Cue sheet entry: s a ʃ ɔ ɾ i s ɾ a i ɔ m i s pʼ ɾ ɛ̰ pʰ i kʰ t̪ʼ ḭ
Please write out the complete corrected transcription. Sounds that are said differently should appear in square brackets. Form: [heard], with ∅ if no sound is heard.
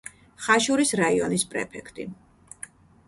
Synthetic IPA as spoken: [χ] a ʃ [u] ɾ i s ɾ a i ɔ [n] i s pʼ ɾ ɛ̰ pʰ [ɛ] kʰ t̪ʼ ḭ